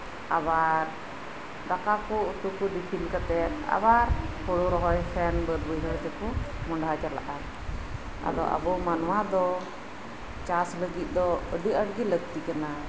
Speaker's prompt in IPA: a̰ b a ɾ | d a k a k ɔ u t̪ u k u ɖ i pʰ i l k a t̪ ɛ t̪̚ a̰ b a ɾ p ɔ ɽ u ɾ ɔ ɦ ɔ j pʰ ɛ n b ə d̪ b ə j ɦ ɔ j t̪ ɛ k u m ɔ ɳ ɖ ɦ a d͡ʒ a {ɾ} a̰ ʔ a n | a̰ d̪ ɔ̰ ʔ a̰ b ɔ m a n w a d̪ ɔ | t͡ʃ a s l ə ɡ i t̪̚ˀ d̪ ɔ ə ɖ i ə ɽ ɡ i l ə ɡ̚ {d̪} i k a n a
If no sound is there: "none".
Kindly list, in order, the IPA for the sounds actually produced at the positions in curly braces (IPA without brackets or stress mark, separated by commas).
l, t̪